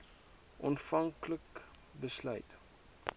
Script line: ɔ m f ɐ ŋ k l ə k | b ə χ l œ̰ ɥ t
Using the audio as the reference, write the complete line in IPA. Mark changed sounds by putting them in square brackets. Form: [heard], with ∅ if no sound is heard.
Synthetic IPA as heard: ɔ [n] f ɐ ŋ k l ə k | b ə [s] l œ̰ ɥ t